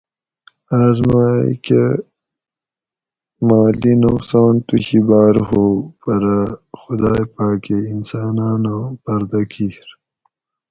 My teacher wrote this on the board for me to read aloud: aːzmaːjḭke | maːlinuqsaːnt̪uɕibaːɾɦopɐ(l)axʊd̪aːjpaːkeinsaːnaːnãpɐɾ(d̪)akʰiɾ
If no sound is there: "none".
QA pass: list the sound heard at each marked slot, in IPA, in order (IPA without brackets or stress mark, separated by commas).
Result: ɾ, d̪